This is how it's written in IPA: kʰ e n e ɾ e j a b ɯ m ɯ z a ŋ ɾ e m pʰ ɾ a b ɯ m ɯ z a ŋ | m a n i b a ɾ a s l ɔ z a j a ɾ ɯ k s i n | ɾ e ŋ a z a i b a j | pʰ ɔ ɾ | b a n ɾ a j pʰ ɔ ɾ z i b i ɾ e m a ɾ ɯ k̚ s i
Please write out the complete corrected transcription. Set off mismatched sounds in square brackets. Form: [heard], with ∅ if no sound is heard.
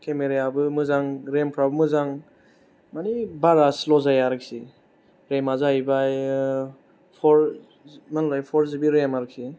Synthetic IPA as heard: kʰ e [m] e ɾ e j a b ɯ m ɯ z a ŋ ɾ e m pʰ ɾ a b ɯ m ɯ z a ŋ | m a n i b a ɾ a s l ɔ z a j a ɾ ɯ k s i [∅] | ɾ e [m] a z a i b a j | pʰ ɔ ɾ | [m] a n [l] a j pʰ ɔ ɾ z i b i ɾ e m a ɾ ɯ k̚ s i